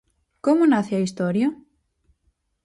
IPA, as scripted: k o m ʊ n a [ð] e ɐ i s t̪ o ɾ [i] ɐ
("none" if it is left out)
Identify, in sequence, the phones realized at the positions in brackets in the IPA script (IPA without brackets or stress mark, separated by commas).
θ, j